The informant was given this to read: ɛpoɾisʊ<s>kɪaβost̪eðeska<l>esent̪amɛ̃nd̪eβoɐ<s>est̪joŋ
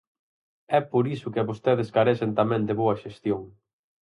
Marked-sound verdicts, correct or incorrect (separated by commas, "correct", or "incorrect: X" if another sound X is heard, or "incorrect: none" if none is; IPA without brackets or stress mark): incorrect: none, incorrect: ɾ, incorrect: ʃ